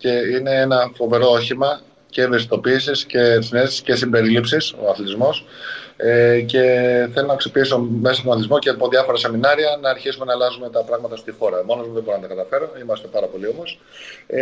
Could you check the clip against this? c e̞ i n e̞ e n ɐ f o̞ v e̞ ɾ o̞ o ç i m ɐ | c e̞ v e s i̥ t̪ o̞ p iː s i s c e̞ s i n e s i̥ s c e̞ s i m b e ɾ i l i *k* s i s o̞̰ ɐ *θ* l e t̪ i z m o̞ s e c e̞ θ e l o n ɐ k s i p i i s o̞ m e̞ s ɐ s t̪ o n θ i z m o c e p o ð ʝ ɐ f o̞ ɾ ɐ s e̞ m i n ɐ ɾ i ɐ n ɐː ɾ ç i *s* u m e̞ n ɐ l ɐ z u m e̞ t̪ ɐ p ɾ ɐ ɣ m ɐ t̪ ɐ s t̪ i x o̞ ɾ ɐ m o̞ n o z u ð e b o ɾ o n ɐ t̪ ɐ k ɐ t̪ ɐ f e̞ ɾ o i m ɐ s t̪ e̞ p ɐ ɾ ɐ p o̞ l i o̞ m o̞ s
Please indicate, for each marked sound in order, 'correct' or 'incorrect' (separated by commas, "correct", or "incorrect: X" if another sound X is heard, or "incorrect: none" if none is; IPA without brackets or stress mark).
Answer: incorrect: p, correct, correct